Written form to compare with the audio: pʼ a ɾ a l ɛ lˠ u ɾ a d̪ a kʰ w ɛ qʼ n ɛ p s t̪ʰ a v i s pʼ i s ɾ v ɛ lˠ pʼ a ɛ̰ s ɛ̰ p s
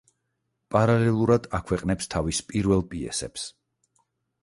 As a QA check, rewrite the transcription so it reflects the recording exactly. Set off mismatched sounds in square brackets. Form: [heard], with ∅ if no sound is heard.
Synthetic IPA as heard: pʼ a ɾ a l ɛ lˠ u ɾ a d̪ a kʰ w ɛ qʼ n ɛ p s t̪ʰ a v i s pʼ i [∅] ɾ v ɛ lˠ pʼ [i] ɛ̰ s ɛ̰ p s